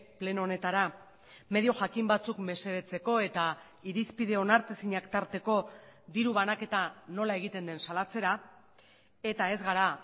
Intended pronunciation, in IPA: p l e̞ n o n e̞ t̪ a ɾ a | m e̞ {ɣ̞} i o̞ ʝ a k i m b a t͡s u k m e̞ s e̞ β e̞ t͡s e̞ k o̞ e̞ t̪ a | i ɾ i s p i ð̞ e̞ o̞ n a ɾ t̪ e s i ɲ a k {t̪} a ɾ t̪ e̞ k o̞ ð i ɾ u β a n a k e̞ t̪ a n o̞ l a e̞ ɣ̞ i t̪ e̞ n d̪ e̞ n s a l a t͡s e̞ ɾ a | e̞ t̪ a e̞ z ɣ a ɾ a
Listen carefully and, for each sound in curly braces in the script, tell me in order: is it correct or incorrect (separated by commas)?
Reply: incorrect, correct